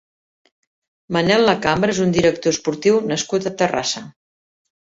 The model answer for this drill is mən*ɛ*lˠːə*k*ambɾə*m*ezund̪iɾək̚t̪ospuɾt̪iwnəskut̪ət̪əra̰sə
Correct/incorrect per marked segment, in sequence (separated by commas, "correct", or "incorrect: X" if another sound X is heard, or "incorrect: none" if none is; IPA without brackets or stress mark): correct, correct, incorrect: none